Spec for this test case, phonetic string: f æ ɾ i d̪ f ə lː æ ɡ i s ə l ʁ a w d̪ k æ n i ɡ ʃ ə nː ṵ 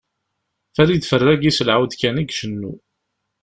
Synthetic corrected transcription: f æ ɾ i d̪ f ə rː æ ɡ i s ə l ʕ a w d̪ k æ n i ɡ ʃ ə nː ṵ